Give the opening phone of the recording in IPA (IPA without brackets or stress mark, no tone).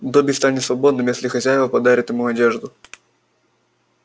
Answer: d̪